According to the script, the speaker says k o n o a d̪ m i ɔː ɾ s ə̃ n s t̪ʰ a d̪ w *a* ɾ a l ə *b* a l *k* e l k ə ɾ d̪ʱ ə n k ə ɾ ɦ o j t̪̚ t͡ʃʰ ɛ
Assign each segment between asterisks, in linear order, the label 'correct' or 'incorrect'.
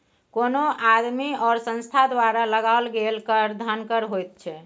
correct, incorrect: ɡ, incorrect: ɡ

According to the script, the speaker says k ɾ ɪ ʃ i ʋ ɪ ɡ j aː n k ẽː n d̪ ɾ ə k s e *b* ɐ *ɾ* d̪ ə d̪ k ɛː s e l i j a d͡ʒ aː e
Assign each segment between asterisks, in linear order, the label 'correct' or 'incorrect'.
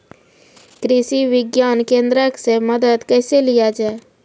incorrect: m, incorrect: none

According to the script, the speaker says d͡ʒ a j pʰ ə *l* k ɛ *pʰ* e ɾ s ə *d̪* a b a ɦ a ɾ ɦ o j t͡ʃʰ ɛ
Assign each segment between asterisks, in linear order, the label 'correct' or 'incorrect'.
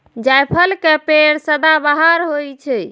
correct, incorrect: p, correct

